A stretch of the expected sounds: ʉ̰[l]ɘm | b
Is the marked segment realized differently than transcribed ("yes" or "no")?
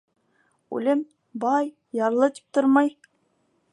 no